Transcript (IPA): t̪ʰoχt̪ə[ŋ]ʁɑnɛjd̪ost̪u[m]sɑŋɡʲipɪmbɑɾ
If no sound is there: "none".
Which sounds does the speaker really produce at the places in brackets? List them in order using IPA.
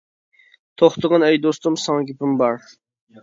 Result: none, m

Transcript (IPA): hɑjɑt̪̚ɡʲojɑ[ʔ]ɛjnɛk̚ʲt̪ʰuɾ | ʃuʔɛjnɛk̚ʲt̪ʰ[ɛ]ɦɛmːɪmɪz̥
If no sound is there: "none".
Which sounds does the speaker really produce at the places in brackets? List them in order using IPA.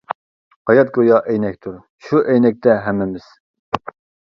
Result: ʔ, ɛ

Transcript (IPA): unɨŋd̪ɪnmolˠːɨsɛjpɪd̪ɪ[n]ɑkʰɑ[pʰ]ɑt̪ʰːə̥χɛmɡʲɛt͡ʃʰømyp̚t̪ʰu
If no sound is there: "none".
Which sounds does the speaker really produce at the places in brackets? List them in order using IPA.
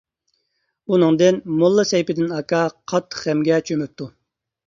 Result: n, qʰ

